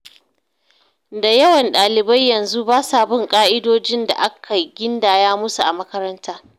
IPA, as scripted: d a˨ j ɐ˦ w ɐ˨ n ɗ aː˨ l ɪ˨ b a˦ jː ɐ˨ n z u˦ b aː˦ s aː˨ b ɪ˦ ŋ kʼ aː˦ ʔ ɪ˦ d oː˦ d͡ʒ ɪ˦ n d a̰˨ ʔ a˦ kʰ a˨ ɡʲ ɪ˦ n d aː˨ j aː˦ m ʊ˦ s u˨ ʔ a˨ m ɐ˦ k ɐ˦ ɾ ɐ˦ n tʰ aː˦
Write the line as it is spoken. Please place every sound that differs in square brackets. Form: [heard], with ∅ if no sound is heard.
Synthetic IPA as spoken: d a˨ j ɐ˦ w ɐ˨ n ɗ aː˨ l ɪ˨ b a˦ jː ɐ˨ n z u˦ b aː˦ s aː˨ b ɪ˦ ŋ kʼ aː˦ ʔ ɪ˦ d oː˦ d͡ʒ ɪ˦ n d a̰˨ ʔ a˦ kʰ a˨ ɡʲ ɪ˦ n d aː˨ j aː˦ m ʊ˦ s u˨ ʔ a˨ m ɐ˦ k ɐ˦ ɾ ɐ˦ n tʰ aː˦

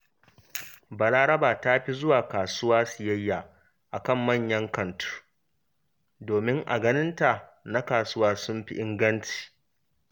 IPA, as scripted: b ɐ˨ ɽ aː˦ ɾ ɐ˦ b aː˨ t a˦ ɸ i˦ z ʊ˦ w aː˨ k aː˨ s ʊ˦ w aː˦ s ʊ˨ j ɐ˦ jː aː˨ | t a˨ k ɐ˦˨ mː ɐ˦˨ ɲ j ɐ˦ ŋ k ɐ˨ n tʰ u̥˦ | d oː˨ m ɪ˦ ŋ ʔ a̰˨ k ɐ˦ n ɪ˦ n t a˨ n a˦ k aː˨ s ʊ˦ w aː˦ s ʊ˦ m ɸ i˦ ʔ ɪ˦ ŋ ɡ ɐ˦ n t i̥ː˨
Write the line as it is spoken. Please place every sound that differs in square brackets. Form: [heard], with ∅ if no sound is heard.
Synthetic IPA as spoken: b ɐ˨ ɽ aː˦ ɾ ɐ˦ b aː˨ t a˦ ɸ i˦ z ʊ˦ w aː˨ k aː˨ s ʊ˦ w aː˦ s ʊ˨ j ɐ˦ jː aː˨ | [ʔ] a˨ k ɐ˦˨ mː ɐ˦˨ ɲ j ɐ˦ ŋ k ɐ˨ n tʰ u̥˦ | d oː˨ m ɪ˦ ŋ ʔ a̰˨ [ɡ] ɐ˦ n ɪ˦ n t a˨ n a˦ k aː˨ s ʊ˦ w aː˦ s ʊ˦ m ɸ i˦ ʔ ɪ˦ ŋ ɡ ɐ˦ n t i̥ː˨

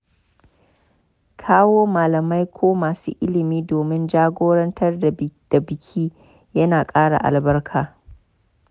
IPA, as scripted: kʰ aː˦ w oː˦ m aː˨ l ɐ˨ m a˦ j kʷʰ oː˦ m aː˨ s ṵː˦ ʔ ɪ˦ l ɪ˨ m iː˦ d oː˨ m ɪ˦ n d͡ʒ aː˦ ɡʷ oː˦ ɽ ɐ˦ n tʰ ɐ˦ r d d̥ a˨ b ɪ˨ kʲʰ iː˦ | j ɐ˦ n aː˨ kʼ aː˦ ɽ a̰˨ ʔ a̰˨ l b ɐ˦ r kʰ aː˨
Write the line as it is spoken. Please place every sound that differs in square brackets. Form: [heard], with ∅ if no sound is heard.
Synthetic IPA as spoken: kʰ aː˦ w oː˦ m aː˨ l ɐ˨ m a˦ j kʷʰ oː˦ m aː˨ s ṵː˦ ʔ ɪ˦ l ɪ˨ m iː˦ d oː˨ m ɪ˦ n d͡ʒ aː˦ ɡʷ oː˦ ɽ ɐ˦ n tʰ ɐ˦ r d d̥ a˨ b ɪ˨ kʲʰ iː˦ | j ɐ˦ n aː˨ kʼ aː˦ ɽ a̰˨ ʔ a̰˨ l b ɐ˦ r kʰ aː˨

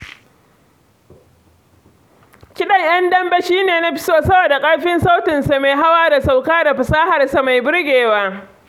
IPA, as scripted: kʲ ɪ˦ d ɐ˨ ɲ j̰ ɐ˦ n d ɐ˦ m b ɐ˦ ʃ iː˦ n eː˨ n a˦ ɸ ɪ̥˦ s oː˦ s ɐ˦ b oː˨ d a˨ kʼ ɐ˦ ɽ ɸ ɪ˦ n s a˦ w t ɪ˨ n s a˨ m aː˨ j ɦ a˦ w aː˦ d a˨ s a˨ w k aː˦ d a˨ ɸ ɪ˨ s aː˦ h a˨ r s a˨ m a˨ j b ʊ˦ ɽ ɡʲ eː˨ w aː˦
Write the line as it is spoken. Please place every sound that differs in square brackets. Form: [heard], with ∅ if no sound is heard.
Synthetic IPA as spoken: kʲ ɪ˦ [ɗ] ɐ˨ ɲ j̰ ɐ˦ n d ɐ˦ m b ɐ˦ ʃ iː˦ n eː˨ n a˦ ɸ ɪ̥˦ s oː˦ s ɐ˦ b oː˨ d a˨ kʼ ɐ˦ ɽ ɸ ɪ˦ n s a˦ w t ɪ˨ n s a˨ m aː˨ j ɦ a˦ w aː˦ d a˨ s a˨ w k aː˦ d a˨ ɸ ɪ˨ s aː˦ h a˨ r s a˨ m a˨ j b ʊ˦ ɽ ɡʲ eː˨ w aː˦

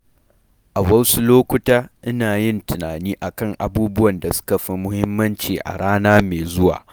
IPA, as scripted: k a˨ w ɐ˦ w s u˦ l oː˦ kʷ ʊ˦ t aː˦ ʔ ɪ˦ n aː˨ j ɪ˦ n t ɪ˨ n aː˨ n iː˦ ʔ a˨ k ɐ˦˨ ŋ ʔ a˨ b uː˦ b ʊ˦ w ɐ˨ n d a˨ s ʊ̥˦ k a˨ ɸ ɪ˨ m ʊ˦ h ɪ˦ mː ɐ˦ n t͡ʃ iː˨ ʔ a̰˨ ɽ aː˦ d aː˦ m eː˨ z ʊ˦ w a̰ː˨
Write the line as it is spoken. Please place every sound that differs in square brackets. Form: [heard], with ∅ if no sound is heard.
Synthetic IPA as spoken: [ʔ] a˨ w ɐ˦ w s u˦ l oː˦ kʷ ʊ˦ t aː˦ ʔ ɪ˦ n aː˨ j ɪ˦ n t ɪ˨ n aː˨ n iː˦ ʔ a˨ k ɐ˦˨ ŋ ʔ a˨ b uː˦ b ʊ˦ w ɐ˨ n d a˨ s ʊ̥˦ k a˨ ɸ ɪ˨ m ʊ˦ h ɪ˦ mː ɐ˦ n t͡ʃ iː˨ ʔ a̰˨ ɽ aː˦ [n] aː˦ m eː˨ z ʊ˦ w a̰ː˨

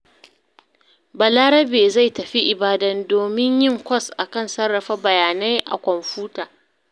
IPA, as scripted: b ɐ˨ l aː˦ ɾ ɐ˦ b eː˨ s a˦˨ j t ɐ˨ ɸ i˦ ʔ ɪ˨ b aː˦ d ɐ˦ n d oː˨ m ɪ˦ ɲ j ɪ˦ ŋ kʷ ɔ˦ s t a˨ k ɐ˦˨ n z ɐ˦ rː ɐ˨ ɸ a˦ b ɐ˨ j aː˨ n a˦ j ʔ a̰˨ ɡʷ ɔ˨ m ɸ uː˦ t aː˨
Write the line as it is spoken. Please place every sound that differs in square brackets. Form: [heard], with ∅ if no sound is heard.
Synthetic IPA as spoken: b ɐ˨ l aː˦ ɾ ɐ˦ b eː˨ [z] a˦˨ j t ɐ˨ ɸ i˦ ʔ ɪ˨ b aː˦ d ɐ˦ n d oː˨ m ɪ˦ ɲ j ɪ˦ ŋ kʷ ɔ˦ s [ʔ] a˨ k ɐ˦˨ n [s] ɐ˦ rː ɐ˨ ɸ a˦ b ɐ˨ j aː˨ n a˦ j ʔ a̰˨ [kʷ] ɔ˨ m ɸ uː˦ t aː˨

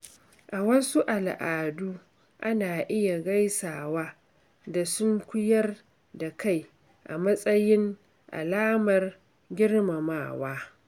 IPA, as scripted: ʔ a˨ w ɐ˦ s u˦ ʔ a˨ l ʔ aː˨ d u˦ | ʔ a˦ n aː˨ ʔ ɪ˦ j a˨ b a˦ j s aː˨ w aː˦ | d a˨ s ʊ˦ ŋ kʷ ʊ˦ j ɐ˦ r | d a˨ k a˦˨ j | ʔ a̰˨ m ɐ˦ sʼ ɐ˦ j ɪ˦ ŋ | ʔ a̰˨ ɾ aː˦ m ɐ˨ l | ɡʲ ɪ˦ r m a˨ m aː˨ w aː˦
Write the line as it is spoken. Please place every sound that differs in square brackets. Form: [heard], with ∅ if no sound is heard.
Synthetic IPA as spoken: ʔ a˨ w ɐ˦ s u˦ ʔ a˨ l ʔ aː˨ d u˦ | ʔ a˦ n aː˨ ʔ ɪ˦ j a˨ [ɡ] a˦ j s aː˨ w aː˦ | d a˨ s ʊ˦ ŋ kʷ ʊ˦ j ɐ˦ r | d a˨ k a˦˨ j | ʔ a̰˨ m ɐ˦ sʼ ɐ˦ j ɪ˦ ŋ | ʔ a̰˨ [l] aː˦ m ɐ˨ [r] | ɡʲ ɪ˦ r m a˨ m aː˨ w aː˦

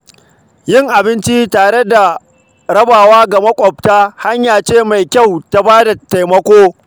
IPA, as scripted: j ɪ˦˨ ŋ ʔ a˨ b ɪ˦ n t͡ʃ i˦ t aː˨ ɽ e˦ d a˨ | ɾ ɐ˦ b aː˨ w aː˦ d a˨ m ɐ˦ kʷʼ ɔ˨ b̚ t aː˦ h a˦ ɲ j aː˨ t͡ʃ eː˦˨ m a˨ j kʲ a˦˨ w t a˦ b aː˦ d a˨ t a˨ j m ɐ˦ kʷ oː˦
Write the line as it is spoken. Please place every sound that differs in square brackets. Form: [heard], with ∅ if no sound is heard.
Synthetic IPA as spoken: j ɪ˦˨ ŋ ʔ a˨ b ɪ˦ n t͡ʃ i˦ t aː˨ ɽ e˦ d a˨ | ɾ ɐ˦ b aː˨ w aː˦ [ɡ] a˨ m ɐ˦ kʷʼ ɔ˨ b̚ t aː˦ h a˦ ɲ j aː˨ t͡ʃ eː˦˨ m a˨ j kʲ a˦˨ w t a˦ b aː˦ d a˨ t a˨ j m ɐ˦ kʷ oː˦

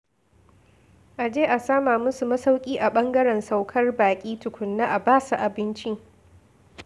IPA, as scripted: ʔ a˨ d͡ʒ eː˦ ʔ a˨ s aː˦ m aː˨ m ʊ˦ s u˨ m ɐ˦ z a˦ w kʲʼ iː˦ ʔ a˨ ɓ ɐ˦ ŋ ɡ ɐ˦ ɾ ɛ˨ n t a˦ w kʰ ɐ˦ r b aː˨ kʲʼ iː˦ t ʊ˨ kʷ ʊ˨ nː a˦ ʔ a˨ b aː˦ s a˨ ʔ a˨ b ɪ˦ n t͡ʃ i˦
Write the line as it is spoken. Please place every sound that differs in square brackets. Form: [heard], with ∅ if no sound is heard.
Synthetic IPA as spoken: ʔ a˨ d͡ʒ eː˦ ʔ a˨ s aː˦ m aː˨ m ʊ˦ s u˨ m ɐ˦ [s] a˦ w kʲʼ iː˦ ʔ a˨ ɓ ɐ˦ ŋ ɡ ɐ˦ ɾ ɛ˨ n [s] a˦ w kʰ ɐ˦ r b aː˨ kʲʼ iː˦ t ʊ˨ kʷ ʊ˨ nː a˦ ʔ a˨ b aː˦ s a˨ ʔ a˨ b ɪ˦ n t͡ʃ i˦

